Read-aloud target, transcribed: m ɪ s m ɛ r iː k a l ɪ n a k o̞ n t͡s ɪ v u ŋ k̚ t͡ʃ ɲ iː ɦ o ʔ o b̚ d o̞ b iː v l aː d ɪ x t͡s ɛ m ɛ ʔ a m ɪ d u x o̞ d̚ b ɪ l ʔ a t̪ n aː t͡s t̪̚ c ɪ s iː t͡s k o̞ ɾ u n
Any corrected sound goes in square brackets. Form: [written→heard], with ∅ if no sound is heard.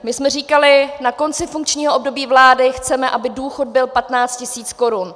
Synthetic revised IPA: m ɪ s m ɛ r iː k a l ɪ n a k o̞ n t͡s ɪ [v→f] u ŋ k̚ t͡ʃ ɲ iː ɦ o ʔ o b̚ d o̞ b iː v l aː d ɪ x t͡s ɛ m ɛ ʔ a [m→b] ɪ d [u→uː] x o̞ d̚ b ɪ l [ʔ→p] a t̪ n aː t͡s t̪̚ c ɪ s iː t͡s k o̞ ɾ u n